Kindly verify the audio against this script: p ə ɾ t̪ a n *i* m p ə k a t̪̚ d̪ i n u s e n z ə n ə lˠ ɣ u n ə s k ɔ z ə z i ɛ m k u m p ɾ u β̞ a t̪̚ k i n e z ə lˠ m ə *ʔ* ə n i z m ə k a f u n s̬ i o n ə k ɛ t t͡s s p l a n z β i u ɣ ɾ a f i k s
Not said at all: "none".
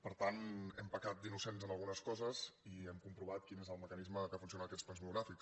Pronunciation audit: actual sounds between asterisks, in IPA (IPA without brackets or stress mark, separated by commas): ɛ, k